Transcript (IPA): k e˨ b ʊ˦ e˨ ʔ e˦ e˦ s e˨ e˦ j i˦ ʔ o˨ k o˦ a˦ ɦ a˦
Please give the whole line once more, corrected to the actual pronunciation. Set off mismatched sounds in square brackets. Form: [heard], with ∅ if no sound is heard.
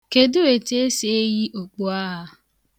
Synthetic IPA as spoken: k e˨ [d] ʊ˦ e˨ [t] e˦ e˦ s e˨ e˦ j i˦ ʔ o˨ [k͡p] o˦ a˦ ɦ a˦